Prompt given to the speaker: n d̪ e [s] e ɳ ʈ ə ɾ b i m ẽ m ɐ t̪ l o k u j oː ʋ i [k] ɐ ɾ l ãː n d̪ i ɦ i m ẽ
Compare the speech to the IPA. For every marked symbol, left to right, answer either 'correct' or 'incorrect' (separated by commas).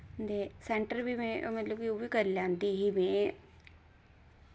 correct, correct